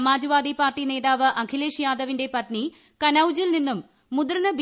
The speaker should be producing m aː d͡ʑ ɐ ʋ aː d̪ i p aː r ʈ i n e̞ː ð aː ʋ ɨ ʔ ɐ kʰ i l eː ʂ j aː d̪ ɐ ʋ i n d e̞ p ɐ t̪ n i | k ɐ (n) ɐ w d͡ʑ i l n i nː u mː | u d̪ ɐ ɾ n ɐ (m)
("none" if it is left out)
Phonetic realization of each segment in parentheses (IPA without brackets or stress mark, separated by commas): n, b